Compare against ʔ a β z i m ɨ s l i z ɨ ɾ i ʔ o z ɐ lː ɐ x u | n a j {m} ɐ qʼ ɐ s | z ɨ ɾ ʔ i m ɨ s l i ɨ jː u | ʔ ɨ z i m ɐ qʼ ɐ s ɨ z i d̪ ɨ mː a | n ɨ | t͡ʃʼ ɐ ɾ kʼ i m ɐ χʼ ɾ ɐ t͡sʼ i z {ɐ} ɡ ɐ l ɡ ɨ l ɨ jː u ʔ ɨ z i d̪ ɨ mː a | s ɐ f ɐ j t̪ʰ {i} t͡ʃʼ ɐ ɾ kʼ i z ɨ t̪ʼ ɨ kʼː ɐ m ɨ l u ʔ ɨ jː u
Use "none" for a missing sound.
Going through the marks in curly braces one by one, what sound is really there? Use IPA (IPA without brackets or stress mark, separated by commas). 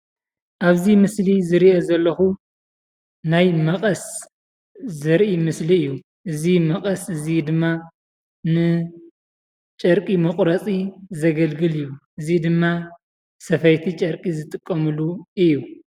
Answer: m, ɐ, i